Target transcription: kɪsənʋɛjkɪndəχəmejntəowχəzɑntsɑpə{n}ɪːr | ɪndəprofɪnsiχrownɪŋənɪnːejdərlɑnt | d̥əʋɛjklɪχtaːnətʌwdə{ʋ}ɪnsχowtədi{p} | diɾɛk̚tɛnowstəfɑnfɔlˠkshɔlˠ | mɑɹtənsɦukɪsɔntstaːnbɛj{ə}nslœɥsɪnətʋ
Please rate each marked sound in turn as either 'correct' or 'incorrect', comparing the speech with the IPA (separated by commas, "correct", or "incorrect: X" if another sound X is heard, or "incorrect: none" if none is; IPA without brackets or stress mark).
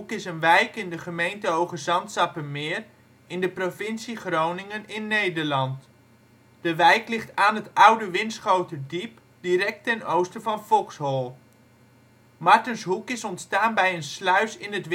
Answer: incorrect: m, correct, correct, correct